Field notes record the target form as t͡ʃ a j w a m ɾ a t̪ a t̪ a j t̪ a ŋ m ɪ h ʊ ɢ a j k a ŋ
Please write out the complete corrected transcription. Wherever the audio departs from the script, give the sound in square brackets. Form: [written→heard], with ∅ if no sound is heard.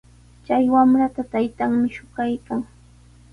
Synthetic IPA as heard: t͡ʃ a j w a m ɾ a t̪ a t̪ a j t̪ a ŋ m ɪ [h→ʃ] ʊ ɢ a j k a ŋ

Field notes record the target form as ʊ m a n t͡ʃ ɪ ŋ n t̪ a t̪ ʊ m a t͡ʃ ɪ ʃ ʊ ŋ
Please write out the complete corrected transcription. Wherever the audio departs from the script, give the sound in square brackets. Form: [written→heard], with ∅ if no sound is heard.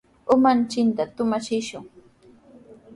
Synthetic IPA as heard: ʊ m a n t͡ʃ ɪ [ŋ→∅] n t̪ a t̪ ʊ m a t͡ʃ ɪ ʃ ʊ ŋ

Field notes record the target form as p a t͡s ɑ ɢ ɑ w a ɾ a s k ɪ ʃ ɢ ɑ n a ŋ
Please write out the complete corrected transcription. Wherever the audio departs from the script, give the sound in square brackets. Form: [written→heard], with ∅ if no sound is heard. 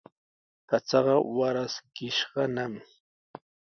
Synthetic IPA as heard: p a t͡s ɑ ɢ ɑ w a ɾ a s k ɪ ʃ ɢ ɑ n a [ŋ→m]

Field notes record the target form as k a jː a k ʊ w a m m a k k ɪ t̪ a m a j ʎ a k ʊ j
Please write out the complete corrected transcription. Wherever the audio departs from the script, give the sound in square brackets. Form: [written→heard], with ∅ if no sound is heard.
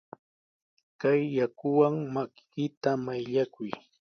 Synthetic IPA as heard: k a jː a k ʊ w a [m→ŋ] m a k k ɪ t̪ a m a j ʎ a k ʊ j

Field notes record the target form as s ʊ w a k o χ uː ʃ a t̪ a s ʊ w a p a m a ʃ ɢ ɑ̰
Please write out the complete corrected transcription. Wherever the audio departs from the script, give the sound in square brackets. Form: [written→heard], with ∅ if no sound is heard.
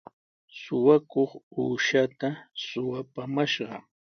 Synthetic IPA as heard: s ʊ w a k o χ uː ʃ a t̪ a s ʊ w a p a m a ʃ ɢ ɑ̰

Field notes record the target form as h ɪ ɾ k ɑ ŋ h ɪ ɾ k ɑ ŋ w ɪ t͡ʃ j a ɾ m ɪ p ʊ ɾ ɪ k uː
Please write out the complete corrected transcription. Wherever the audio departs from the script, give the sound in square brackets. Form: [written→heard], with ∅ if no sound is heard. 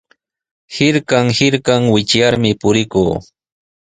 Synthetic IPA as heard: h ɪ ɾ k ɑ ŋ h ɪ ɾ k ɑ ŋ w ɪ t͡ʃ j a ɾ m ɪ p ʊ ɾ ɪ k uː

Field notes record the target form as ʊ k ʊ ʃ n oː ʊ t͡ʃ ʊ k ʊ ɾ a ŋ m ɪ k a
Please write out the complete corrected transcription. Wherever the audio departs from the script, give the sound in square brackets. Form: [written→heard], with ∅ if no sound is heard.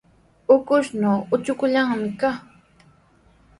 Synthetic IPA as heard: ʊ k ʊ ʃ n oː ʊ t͡ʃ ʊ k ʊ [ɾ→ʎ] a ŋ m ɪ k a

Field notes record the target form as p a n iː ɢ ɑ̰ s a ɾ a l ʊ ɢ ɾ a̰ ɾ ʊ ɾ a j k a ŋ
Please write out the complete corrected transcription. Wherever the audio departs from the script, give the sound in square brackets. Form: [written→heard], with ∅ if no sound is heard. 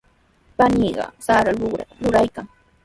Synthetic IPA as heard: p a n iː ɢ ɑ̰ s a ɾ a l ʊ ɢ ɾ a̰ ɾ ʊ ɾ a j k a ŋ

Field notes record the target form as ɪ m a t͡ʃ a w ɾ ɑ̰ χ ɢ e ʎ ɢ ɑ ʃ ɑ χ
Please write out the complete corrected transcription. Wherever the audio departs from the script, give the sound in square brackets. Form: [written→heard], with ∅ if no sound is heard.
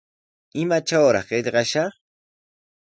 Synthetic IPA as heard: ɪ m a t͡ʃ a w ɾ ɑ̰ χ ɢ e ʎ ɢ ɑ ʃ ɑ χ

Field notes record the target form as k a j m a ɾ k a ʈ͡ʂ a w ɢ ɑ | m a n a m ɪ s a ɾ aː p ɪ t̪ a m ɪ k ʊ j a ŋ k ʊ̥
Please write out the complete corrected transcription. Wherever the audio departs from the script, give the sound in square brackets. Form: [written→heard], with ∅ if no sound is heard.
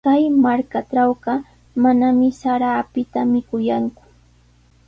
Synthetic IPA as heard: k a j m a ɾ k a ʈ͡ʂ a w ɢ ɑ | m a n a m ɪ s a ɾ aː p ɪ t̪ a m ɪ k ʊ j a ŋ k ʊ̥

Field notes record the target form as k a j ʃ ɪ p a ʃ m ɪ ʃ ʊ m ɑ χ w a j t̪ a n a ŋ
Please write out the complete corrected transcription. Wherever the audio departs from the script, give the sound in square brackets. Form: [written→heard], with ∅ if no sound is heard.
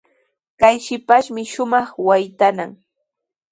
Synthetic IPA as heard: k a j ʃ ɪ p a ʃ m ɪ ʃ ʊ m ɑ χ w a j t̪ a n a ŋ

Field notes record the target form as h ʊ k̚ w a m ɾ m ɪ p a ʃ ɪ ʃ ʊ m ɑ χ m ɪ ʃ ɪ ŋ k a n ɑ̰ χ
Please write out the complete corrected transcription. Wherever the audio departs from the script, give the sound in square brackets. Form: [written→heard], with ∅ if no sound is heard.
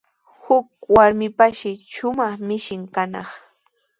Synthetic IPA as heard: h ʊ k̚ w a [m→∅] ɾ m ɪ p a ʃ ɪ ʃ ʊ m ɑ χ m ɪ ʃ ɪ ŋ k a n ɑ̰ χ

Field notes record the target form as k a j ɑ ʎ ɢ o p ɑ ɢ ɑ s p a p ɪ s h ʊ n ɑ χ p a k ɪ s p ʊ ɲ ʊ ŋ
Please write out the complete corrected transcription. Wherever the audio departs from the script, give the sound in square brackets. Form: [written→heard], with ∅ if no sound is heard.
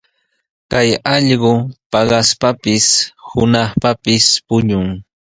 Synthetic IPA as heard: k a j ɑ ʎ ɢ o p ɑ ɢ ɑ s p a p ɪ s h ʊ n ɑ χ p a [k→p] ɪ s p ʊ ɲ ʊ ŋ

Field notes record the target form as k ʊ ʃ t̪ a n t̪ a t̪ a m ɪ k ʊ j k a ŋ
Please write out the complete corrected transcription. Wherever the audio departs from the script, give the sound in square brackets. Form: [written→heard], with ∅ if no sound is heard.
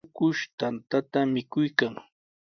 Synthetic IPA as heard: k ʊ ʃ t̪ a n t̪ a t̪ a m ɪ k ʊ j k a ŋ

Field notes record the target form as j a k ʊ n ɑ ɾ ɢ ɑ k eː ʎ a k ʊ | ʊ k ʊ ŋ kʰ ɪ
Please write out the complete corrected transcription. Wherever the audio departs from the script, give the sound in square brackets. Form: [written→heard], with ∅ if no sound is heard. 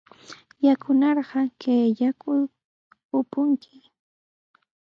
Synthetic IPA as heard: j a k ʊ n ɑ ɾ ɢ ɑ k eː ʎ a k ʊ | ʊ [k→p] ʊ ŋ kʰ ɪ

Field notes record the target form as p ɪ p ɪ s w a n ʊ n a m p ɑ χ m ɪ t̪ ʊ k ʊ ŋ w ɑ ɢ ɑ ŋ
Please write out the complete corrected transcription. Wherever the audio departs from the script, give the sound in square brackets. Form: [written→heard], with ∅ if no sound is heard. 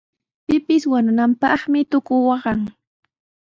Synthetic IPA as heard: p ɪ p ɪ s w a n ʊ n a m p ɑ χ m ɪ t̪ ʊ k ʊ [ŋ→∅] w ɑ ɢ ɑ ŋ

